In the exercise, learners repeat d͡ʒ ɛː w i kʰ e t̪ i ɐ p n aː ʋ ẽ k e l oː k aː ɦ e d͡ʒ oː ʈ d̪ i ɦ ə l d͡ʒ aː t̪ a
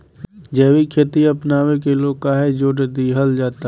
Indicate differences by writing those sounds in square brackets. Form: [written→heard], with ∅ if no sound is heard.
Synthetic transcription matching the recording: d͡ʒ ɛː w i kʰ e t̪ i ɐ p n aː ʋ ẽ k e l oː k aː ɦ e d͡ʒ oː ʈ d̪ i ɦ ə l d͡ʒ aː t̪ a